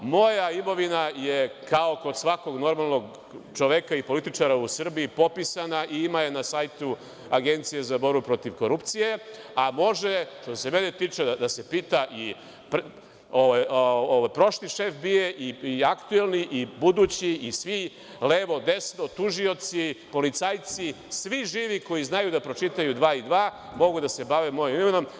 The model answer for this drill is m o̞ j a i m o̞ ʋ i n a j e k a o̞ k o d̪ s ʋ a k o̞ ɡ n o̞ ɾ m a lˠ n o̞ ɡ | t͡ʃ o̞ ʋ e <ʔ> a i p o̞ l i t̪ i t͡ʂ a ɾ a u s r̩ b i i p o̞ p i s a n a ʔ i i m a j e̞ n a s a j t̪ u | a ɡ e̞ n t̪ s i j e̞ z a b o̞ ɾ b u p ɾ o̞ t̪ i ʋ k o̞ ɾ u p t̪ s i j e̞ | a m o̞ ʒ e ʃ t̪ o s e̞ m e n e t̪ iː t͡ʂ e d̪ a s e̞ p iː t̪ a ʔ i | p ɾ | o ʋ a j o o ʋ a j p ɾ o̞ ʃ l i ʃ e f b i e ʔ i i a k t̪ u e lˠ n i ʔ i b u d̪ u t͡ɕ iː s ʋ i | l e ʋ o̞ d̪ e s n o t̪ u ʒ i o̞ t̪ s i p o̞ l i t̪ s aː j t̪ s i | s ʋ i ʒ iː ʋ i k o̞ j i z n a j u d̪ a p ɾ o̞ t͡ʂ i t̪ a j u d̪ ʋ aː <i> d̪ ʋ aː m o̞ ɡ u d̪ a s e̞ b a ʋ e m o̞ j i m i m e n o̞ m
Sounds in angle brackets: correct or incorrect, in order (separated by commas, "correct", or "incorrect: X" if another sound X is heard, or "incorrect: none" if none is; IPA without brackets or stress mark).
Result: incorrect: k, correct